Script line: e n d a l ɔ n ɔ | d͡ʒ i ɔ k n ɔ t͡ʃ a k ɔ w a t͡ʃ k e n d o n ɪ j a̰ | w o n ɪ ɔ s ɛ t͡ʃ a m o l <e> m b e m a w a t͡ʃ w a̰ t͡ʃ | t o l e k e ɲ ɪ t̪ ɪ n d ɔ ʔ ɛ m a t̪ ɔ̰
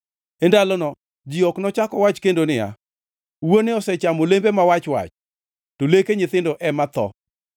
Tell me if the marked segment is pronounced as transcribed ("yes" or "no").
yes